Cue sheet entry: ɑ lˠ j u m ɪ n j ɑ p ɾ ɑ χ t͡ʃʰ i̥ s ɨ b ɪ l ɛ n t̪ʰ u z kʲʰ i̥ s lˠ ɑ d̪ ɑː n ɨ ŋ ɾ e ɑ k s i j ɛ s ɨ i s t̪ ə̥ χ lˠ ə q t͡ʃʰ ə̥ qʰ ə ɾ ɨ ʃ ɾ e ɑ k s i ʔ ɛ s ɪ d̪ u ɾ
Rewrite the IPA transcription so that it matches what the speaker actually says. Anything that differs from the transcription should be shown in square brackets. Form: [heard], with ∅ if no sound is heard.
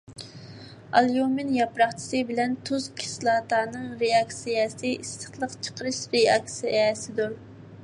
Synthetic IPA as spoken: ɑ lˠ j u m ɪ n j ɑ p ɾ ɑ χ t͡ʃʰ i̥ s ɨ b ɪ l ɛ n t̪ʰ u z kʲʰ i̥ s lˠ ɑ [t̪] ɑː n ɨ ŋ ɾ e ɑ k s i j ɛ s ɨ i s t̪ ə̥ χ lˠ ə q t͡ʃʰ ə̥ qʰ ə ɾ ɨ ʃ ɾ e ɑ k s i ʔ ɛ s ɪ d̪ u ɾ